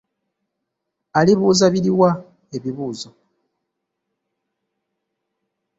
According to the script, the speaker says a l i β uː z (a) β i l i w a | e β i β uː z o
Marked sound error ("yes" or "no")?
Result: no